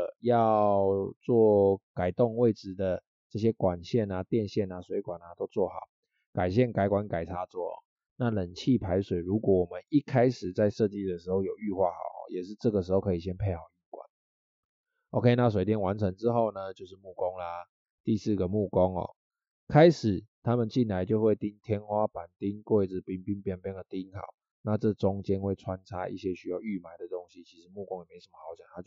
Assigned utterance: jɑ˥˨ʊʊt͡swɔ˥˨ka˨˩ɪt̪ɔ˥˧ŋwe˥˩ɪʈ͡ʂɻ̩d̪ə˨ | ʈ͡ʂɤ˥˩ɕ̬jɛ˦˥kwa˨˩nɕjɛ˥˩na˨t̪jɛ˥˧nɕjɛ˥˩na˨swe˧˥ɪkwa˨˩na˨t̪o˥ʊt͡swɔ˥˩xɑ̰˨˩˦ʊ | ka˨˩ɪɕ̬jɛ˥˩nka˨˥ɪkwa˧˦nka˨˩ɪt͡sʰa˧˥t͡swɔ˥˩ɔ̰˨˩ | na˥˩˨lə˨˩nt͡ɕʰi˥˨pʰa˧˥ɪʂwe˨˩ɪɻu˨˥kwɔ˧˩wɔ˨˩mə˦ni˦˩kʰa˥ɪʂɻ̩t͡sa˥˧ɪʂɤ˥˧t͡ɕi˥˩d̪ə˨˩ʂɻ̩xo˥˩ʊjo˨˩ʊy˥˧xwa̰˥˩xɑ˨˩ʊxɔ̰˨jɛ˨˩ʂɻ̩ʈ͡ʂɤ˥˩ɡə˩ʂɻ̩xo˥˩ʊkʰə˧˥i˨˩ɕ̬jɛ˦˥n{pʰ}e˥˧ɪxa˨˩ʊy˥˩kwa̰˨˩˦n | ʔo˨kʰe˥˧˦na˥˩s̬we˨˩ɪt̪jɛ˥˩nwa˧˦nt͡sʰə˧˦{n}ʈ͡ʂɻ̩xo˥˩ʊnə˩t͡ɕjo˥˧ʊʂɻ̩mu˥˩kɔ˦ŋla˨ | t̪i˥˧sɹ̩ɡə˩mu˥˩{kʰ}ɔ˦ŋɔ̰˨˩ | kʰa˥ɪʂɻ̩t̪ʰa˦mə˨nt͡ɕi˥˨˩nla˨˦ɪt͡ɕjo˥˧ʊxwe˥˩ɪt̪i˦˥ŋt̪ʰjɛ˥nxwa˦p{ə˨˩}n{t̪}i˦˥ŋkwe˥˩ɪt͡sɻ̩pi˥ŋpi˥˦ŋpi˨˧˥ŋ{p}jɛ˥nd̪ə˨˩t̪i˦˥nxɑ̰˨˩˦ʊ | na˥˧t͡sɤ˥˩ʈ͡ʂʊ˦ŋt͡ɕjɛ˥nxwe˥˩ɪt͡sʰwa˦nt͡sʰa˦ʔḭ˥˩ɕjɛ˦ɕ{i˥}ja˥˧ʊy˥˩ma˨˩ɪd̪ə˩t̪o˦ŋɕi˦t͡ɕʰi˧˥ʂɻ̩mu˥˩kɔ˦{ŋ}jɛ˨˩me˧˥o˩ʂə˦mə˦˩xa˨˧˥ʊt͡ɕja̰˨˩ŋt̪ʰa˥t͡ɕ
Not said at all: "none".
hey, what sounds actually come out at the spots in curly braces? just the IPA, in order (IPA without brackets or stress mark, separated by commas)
pʰ, ŋ, k, a˨˩, t̪, p, y˥, ŋ